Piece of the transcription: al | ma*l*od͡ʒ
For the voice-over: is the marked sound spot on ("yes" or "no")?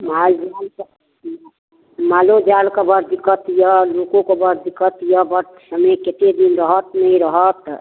yes